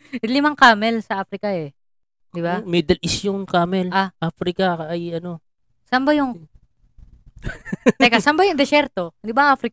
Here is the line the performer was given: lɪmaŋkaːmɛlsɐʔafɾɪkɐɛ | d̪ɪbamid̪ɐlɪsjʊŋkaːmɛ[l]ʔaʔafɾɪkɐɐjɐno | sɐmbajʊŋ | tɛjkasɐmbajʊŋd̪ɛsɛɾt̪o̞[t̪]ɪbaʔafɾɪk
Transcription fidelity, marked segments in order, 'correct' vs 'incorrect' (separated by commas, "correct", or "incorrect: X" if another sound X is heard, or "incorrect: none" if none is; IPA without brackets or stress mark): correct, incorrect: d̪